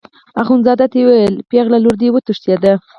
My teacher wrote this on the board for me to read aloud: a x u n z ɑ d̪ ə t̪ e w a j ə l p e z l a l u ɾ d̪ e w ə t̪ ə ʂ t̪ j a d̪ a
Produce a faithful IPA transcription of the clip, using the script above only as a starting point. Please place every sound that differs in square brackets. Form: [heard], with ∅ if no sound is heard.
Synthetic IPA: a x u n z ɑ d̪ [a] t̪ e w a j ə l p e [ɣ] l a l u ɾ d̪ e w ə t̪ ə ʂ t̪ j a d̪ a